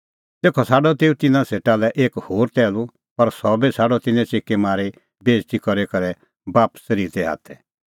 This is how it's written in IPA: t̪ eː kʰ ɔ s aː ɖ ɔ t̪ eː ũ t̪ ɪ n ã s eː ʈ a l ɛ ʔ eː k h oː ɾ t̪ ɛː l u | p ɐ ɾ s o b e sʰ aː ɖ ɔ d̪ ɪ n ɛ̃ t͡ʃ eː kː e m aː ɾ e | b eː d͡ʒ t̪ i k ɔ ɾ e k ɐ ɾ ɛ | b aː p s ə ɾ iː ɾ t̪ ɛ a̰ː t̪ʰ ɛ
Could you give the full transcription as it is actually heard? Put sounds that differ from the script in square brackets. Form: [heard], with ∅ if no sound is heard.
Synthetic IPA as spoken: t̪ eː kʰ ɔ s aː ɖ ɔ t̪ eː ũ t̪ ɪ n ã s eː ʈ a l ɛ ʔ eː k h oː ɾ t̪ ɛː l u | p ɐ ɾ s [ɔ] b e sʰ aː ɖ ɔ [t̪] ɪ n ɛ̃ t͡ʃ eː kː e m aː ɾ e | b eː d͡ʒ t̪ i k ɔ ɾ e k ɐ ɾ ɛ | b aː p s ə ɾ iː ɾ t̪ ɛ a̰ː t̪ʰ ɛ